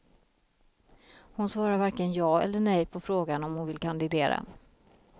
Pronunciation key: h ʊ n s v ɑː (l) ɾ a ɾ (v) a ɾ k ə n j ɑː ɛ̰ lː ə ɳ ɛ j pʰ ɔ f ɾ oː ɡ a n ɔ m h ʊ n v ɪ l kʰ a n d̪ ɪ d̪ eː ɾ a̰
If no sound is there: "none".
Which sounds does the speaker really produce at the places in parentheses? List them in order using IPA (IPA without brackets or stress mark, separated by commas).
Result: none, v